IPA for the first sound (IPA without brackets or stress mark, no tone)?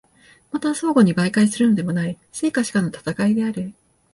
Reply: m